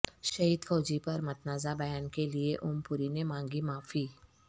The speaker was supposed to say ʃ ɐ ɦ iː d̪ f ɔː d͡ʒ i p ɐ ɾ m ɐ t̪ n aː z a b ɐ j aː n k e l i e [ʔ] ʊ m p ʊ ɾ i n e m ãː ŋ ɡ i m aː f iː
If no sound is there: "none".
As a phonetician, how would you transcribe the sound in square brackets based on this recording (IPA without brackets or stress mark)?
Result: ʔ